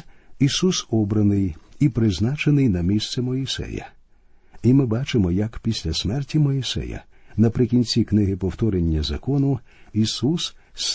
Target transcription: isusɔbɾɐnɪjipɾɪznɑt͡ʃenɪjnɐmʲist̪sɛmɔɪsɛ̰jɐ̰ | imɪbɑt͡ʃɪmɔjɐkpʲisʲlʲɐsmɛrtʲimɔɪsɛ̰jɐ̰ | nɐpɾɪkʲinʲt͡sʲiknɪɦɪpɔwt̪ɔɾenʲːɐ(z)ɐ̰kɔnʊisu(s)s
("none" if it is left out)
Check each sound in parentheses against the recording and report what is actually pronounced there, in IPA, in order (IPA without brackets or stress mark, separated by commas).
z, s